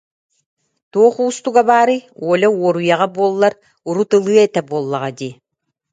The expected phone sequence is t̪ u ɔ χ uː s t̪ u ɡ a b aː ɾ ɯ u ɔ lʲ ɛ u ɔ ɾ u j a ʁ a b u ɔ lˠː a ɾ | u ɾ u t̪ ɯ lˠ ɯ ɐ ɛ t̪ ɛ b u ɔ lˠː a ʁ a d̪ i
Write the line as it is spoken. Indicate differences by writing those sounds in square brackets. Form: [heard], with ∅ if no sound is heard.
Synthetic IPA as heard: t̪ u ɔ χ uː s t̪ u ɡ a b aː ɾ ɯ u ɔ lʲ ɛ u ɔ ɾ u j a ʁ a b u ɔ lˠː a ɾ | u ɾ u t̪ ɯ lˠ ɯ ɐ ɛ t̪ ɛ b u ɔ lˠː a ʁ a d̪ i